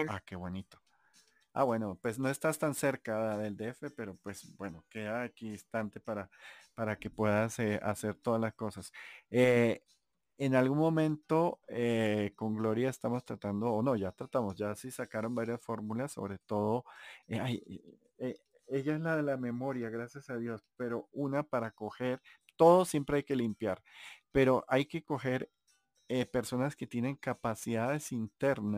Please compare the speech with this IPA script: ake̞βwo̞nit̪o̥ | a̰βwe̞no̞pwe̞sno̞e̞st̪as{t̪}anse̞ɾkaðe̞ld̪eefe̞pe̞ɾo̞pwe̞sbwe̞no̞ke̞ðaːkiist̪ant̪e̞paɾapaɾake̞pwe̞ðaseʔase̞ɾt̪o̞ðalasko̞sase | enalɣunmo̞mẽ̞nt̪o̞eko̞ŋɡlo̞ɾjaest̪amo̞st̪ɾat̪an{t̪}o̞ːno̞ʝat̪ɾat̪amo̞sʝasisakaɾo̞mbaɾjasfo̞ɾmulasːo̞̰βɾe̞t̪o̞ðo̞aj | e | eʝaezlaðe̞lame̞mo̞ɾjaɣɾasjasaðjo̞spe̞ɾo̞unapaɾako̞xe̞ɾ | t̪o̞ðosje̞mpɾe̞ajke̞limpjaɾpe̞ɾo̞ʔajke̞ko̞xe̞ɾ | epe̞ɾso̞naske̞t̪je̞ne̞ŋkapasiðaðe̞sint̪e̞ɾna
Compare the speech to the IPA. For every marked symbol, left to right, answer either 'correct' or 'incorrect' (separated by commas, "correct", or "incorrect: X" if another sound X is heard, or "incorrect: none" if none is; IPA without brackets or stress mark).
correct, incorrect: d̪